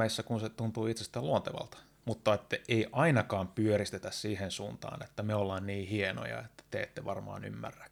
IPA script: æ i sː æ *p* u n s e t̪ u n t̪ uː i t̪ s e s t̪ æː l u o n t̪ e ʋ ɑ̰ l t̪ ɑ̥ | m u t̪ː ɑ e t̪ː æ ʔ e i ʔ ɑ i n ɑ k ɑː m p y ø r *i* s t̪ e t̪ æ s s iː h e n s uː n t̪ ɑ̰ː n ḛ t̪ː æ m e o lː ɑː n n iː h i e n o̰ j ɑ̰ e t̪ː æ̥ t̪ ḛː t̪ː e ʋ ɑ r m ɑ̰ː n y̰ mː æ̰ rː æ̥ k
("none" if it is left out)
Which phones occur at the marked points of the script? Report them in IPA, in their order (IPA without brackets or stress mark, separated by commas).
k, i